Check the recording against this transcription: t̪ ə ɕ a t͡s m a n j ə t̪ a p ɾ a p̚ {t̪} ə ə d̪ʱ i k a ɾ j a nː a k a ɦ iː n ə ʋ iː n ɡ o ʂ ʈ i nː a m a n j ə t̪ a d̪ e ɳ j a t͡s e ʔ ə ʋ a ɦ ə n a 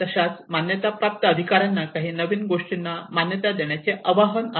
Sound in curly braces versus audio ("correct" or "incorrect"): correct